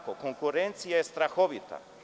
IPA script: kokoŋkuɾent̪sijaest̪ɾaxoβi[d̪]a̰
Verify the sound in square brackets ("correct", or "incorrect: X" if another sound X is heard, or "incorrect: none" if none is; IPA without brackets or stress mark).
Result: incorrect: t̪